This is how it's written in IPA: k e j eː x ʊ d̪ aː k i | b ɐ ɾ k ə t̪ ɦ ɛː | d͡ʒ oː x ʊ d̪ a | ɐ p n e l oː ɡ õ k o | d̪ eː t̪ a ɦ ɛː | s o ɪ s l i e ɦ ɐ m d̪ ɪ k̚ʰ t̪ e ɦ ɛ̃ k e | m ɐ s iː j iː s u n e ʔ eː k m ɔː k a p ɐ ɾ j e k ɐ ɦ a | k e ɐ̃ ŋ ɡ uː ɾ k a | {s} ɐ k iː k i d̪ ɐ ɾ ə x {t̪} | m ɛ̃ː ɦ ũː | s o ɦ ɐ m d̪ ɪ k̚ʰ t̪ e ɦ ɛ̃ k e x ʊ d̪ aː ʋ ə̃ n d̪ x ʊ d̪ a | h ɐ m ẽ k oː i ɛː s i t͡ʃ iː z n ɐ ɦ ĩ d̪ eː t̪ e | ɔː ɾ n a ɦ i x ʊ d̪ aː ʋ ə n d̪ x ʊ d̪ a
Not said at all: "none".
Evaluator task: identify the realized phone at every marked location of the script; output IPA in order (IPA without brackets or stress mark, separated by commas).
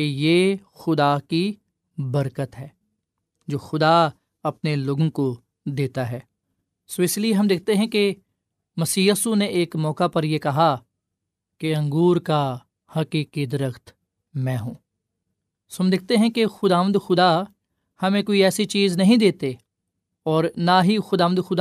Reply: h, t̪